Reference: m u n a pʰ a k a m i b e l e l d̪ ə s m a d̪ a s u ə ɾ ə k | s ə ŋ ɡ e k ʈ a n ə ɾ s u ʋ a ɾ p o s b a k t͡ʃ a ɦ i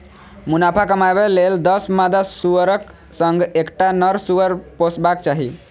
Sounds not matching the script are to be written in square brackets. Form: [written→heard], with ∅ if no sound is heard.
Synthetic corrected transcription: m u n a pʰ a k [a→ə] m [i→a] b e l e l d̪ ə s m a d̪ a s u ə ɾ ə k | s ə ŋ ɡ e k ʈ a n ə ɾ s u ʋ [a→ə] ɾ p o s b a k t͡ʃ a ɦ i